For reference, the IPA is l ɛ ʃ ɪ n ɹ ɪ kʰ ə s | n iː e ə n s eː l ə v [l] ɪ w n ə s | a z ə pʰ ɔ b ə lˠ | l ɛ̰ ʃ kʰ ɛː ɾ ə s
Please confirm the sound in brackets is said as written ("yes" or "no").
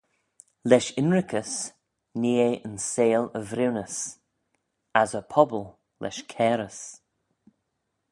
no